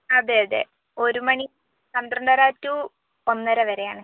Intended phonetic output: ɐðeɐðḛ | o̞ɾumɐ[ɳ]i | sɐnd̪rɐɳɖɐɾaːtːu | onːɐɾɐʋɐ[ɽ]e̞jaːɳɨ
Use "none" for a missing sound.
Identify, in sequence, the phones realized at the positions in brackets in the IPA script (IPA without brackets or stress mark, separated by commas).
ɳ, ɾ